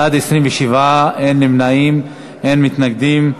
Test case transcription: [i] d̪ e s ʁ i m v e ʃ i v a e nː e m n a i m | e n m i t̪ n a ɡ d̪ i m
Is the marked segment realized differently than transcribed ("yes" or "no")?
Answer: yes